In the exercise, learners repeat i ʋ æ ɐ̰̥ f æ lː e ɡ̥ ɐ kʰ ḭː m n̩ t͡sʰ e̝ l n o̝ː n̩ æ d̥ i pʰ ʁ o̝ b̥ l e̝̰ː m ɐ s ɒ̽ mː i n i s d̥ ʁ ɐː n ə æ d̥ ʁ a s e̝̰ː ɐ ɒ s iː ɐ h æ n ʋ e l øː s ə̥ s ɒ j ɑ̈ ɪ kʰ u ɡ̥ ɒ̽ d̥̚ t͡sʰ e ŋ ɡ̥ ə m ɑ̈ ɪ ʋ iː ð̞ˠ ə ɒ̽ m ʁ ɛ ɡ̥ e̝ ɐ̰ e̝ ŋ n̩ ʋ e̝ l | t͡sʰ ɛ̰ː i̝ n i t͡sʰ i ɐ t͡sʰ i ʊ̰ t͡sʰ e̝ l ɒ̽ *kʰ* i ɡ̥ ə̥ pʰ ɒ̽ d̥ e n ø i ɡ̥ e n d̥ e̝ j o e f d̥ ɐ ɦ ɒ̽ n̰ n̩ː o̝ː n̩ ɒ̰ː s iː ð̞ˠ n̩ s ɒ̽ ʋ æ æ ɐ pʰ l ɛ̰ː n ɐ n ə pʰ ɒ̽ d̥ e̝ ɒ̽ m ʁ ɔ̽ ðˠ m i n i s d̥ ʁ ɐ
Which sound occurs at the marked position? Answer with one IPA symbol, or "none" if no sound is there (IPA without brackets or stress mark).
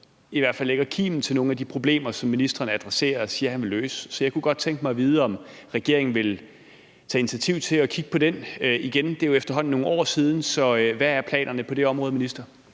kʰ